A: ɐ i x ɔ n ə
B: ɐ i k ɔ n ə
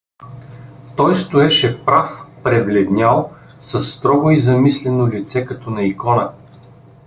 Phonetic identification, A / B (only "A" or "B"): B